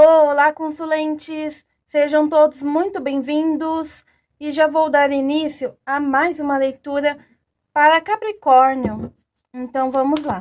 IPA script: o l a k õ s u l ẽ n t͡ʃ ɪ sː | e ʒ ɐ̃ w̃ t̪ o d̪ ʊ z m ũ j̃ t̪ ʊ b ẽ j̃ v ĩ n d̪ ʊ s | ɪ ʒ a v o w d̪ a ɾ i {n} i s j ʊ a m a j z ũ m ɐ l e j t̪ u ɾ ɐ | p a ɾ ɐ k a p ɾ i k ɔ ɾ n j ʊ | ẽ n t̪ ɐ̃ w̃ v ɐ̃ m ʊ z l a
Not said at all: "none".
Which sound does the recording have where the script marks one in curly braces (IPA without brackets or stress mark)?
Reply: n